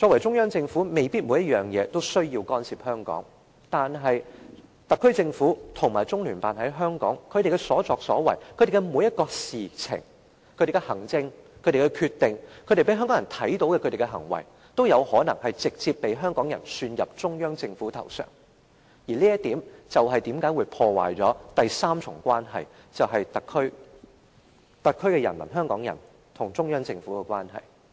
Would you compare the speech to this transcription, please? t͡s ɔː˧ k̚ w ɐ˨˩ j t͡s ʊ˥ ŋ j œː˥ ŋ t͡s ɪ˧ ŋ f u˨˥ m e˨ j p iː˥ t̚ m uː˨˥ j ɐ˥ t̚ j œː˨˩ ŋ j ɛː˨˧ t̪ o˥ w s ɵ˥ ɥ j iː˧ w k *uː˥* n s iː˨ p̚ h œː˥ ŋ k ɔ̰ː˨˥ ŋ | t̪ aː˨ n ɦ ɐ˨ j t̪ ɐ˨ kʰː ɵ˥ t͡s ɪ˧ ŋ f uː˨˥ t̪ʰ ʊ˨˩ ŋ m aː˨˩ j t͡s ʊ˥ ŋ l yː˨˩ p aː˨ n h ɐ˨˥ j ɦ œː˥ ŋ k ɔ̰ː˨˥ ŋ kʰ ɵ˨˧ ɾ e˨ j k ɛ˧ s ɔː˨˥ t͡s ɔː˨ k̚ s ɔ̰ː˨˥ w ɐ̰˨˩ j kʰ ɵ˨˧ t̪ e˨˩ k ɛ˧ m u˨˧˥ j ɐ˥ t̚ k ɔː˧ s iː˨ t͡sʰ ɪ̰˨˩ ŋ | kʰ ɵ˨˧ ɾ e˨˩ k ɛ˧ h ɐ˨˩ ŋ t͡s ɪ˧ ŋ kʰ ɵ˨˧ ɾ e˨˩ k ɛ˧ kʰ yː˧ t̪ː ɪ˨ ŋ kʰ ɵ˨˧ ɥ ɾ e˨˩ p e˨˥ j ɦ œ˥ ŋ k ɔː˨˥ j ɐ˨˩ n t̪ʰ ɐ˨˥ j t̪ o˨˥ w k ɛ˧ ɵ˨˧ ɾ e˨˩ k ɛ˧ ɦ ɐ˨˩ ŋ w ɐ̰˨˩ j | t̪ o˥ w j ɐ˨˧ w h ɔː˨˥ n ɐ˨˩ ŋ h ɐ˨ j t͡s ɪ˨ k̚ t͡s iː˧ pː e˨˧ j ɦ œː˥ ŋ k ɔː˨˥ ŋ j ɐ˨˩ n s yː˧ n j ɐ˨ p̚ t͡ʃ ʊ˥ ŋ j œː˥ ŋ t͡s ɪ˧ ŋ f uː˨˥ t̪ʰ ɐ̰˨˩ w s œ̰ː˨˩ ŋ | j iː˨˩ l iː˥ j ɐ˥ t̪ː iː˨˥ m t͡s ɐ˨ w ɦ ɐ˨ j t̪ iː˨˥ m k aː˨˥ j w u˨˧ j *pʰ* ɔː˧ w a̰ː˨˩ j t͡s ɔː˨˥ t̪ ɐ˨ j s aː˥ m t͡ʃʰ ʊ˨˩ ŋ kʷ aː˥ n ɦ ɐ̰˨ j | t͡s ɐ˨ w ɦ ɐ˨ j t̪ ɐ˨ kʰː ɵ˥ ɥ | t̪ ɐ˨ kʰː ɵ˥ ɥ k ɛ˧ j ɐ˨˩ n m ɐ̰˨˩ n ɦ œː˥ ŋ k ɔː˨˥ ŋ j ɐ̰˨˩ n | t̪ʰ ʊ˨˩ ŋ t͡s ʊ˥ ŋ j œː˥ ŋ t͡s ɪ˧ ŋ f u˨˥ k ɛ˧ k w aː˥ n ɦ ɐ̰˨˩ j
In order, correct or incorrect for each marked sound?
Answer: incorrect: ɔː˥, correct

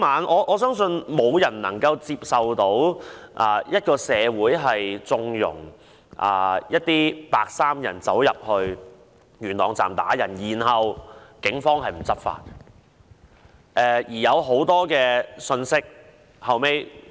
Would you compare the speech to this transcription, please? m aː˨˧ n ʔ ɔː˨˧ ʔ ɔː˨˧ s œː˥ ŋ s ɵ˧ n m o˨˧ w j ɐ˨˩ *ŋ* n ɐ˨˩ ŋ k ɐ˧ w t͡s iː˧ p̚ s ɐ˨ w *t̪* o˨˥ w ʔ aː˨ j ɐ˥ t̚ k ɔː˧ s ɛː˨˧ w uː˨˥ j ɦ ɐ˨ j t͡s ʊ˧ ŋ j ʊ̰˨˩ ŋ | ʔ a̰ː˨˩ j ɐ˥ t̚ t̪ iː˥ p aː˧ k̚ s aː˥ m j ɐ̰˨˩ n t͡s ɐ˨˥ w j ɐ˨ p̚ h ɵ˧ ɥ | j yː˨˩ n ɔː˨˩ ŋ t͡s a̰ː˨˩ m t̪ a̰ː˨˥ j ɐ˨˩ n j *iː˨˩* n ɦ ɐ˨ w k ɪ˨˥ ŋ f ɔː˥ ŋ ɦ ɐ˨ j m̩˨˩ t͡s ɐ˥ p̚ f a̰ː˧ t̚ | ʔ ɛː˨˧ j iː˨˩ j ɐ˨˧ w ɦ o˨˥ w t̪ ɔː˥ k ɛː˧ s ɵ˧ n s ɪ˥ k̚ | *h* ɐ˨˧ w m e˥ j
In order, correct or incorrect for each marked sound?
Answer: incorrect: n, correct, correct, correct

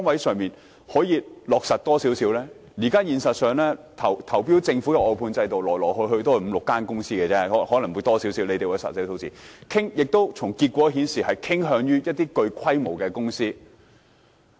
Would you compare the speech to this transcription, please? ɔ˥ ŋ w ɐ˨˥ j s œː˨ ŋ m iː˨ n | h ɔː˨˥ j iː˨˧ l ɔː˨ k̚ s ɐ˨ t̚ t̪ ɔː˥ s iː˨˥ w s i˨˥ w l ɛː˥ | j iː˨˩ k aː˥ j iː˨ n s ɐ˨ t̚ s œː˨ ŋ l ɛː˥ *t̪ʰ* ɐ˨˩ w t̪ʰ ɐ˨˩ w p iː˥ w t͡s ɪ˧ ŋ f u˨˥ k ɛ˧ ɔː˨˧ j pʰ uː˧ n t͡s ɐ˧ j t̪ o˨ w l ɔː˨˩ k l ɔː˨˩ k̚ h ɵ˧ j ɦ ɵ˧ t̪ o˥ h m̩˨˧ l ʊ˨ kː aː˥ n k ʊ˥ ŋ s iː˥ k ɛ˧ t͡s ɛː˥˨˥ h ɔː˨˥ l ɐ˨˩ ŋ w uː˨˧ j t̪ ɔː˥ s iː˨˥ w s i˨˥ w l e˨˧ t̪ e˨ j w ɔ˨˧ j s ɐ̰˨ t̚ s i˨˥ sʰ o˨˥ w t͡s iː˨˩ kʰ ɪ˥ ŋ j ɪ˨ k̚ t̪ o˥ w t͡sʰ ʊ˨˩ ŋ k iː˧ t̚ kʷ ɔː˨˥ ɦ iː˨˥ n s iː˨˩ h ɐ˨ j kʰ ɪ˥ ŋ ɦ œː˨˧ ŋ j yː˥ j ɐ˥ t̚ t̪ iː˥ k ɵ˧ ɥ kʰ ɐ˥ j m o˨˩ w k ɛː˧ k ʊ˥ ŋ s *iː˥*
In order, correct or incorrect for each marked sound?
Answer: correct, correct

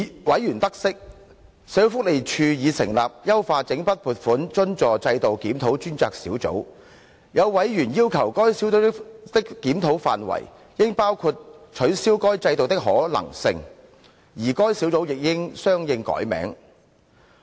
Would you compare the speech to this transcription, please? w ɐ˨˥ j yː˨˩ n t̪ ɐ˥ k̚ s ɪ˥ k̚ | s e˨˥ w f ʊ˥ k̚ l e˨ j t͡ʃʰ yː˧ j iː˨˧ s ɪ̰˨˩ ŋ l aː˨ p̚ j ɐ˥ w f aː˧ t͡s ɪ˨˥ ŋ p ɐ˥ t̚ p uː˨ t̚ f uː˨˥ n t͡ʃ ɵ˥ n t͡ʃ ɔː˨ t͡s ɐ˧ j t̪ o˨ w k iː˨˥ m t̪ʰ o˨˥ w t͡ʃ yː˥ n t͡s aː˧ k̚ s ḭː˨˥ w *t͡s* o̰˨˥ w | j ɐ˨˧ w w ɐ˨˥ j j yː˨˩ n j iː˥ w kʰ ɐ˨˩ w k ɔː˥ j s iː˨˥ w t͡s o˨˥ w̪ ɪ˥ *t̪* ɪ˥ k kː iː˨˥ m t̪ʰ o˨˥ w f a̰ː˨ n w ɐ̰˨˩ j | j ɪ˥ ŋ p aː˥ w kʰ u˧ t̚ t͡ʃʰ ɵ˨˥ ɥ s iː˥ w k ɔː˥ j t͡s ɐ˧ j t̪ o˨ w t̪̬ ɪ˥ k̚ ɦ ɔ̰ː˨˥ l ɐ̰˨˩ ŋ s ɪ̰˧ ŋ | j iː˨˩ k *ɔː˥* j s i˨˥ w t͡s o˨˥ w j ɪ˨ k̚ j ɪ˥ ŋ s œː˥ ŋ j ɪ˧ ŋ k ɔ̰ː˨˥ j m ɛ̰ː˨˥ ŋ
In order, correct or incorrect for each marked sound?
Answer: correct, correct, correct

